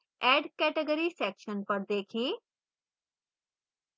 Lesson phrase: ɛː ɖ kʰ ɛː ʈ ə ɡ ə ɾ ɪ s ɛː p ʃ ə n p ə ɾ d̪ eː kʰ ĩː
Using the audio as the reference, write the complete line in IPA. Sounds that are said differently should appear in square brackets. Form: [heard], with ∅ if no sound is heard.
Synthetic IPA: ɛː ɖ [k] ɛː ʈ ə ɡ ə ɾ [i] s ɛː [k] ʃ ə n p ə ɾ d̪ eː kʰ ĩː